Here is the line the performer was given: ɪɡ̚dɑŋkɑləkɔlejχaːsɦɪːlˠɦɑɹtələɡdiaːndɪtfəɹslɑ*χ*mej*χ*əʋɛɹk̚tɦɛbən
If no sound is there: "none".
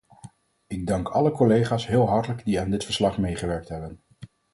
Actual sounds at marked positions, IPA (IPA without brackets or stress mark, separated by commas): χ, χ